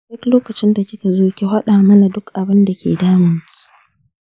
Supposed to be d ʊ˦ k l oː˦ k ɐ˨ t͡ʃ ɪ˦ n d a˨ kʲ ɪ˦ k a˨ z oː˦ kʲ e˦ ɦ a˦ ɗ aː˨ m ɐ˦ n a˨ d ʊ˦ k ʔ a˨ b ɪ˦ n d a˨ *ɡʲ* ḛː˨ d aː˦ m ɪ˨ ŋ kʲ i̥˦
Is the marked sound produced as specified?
no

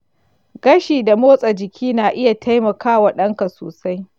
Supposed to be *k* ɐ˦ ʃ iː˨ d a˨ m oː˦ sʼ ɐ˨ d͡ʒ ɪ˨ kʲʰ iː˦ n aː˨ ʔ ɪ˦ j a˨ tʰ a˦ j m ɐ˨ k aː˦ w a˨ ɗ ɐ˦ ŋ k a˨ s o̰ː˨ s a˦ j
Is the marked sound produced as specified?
no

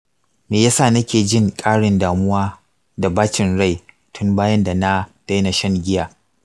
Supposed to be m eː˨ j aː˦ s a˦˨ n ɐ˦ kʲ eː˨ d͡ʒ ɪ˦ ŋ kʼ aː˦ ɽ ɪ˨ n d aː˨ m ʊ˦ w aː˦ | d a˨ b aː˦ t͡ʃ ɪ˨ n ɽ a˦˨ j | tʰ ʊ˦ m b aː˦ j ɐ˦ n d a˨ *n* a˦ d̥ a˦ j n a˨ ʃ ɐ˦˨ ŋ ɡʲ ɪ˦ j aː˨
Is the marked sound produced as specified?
yes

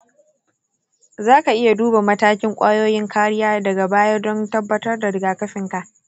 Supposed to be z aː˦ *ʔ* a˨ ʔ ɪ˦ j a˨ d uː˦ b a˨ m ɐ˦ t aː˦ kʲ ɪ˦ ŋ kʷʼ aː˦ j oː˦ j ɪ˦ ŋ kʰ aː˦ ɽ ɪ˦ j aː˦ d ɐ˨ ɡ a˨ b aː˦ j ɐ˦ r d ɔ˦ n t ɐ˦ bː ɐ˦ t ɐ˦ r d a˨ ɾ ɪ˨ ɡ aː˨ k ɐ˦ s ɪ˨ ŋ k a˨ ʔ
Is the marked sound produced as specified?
no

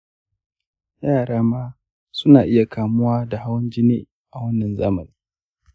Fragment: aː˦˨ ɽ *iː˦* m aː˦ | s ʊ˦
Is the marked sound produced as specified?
no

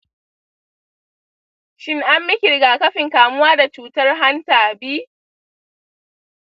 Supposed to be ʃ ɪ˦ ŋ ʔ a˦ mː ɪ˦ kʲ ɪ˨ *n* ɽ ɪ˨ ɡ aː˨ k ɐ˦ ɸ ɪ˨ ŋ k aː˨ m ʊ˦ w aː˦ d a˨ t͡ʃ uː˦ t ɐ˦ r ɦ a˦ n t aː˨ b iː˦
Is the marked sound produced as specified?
no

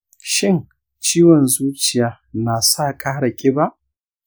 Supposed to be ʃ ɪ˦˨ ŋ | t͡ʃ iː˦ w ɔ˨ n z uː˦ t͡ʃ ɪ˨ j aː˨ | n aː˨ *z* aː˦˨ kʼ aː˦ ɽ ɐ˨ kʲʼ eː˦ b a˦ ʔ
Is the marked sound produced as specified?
no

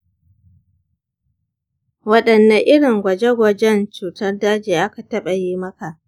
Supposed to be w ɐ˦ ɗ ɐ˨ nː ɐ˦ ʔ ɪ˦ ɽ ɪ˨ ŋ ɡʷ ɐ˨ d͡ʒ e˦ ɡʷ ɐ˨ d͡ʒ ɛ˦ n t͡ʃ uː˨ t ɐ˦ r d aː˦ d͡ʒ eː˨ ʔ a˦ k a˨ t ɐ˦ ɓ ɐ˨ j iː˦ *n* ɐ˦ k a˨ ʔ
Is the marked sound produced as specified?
no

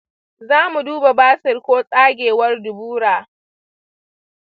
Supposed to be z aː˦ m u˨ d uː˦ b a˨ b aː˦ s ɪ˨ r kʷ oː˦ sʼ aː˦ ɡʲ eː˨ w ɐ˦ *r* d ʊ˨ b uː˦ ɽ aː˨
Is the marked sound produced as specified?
yes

